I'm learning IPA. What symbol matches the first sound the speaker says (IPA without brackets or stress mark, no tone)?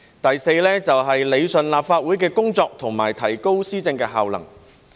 t̪